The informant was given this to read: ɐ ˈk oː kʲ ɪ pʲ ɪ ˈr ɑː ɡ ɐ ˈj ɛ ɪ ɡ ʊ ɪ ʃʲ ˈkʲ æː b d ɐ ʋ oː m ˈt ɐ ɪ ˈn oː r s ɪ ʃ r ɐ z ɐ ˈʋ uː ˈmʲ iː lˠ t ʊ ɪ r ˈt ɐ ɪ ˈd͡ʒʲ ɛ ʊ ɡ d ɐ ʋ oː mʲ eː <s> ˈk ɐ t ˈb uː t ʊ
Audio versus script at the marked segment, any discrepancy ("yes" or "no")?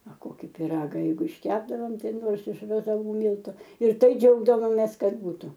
no